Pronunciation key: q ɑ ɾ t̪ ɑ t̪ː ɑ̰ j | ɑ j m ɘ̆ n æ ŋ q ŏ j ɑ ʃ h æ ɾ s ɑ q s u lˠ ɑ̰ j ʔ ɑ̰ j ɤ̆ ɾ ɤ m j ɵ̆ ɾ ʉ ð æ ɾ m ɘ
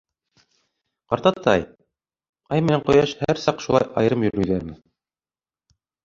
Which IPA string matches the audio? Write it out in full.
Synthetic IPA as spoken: q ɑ ɾ t̪ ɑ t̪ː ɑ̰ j | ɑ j m ɘ̆ n æ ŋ q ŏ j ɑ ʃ h æ ɾ s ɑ q ʃ u lˠ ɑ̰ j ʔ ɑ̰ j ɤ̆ ɾ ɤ m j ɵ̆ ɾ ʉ ð æ ɾ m ɘ